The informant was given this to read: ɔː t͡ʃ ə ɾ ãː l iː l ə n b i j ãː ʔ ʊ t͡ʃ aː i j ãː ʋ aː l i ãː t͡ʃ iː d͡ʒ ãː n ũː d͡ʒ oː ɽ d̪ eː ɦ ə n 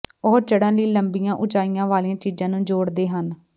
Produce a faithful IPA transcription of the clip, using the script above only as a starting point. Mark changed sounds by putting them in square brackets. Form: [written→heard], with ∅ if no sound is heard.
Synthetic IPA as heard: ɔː t͡ʃ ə [ɾ→ɽ] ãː l iː l ə [n→m] b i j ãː ʔ ʊ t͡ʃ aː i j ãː ʋ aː l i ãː t͡ʃ iː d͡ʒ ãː n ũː d͡ʒ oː ɽ d̪ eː ɦ ə n